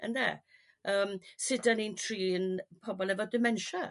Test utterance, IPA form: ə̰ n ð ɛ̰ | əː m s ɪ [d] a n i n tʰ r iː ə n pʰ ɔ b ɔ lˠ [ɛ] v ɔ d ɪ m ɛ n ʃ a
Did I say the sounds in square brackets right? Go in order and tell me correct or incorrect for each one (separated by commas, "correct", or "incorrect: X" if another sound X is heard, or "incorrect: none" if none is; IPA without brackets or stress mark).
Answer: correct, correct